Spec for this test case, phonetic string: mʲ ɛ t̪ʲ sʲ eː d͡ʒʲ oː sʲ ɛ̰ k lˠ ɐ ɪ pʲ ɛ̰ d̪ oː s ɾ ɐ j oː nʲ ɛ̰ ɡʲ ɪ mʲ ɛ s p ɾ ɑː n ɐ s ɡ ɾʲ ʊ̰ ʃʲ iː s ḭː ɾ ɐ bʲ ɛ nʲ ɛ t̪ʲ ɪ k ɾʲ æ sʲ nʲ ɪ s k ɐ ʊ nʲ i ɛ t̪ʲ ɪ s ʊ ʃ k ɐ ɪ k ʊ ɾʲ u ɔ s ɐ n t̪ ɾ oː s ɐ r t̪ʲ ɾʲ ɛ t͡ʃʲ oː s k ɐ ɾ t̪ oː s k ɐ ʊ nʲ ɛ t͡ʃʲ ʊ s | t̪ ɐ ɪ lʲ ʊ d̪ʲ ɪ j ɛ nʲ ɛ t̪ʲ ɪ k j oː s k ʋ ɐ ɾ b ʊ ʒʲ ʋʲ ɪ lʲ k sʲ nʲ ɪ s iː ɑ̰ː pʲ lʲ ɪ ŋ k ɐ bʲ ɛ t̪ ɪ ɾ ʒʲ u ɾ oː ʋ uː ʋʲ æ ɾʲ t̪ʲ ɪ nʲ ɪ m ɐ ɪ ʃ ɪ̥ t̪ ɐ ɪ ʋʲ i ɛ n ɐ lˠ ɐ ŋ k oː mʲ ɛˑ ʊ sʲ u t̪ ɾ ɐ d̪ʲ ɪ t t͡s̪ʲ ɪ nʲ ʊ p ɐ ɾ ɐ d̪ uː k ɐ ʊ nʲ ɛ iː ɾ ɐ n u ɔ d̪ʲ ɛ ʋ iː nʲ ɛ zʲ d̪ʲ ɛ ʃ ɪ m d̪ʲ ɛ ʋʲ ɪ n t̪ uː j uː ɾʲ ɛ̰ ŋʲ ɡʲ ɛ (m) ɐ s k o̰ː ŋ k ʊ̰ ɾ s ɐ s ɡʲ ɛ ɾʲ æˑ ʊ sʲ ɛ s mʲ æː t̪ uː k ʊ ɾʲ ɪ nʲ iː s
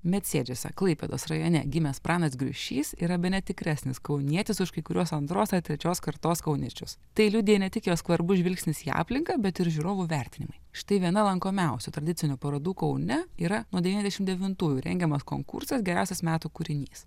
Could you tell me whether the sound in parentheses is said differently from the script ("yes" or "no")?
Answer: no